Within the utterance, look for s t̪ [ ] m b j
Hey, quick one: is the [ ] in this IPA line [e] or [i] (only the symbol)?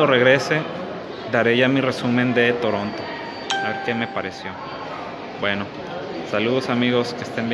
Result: e